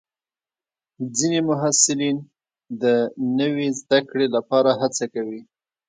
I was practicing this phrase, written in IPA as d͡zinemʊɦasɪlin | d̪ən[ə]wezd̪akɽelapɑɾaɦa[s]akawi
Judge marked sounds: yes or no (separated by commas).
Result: yes, no